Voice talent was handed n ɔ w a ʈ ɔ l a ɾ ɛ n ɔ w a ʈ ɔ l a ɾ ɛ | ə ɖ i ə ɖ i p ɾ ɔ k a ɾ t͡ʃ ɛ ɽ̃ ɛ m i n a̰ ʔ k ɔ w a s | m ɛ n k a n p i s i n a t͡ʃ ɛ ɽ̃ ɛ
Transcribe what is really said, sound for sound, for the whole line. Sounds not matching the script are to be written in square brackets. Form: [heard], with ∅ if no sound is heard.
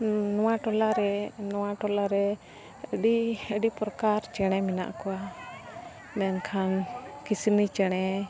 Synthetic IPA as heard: n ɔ w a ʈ ɔ l a ɾ ɛ n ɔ w a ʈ ɔ l a ɾ ɛ | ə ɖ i ə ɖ i p ɾ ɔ k a ɾ t͡ʃ ɛ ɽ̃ ɛ m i n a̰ ʔ k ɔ w a [∅] | m ɛ n [kʰ] a n [k] i s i n [i] t͡ʃ ɛ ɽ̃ ɛ